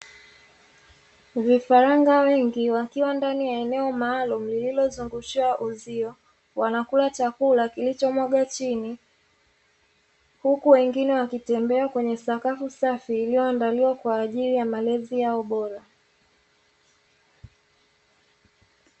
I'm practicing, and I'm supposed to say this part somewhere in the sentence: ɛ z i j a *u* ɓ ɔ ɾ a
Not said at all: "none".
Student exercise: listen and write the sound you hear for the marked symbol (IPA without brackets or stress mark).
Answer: ɔ